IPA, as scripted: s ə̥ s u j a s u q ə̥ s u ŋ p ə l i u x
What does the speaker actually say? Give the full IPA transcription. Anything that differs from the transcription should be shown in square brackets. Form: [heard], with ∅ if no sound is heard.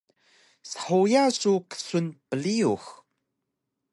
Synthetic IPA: s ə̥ [ħ] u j a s u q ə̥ s u [n] p ə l i u x